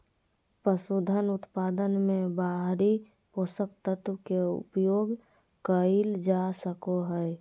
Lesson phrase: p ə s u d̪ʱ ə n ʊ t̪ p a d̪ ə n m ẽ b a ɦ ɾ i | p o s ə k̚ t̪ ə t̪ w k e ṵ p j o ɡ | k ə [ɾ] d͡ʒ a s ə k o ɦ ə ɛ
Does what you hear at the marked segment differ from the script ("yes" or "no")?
yes